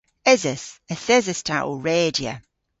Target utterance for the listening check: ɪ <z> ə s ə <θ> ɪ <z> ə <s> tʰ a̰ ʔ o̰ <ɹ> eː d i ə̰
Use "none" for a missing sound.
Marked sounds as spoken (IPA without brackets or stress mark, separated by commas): z, θ, z, s, ɹ